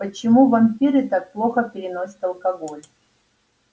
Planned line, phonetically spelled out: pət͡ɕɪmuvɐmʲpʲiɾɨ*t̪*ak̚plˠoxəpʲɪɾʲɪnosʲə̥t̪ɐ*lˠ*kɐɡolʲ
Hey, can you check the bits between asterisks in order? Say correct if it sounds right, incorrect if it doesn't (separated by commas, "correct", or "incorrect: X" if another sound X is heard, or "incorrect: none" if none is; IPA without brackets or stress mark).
correct, correct